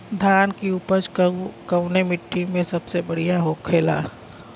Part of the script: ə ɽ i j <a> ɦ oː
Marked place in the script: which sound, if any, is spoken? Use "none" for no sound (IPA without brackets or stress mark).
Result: a